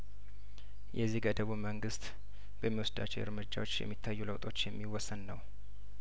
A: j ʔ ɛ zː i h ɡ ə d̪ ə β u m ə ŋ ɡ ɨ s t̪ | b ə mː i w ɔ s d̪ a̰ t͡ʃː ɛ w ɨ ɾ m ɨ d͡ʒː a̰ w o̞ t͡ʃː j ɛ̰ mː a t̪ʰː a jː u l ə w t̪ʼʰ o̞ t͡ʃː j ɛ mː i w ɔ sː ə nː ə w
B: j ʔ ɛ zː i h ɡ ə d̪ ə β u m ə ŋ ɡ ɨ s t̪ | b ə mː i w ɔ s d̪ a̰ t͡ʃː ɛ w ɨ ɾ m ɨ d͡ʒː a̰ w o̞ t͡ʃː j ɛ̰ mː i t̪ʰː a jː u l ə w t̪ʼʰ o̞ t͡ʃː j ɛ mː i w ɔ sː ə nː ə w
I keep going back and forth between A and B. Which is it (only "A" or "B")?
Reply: B